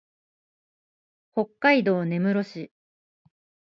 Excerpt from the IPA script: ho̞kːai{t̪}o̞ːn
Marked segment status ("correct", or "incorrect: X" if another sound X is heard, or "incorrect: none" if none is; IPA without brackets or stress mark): incorrect: d̪